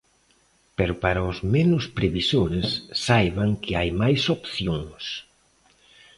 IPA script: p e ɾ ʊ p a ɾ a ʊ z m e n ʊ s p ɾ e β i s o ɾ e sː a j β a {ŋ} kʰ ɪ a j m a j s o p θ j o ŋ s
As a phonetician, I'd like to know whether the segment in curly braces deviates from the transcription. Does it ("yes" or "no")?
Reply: no